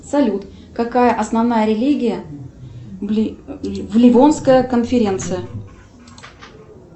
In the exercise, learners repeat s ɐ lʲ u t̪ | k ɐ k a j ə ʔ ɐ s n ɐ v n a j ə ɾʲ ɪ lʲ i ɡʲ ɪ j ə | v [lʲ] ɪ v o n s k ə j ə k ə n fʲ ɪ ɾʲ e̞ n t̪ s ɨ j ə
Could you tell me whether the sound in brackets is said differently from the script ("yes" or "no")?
no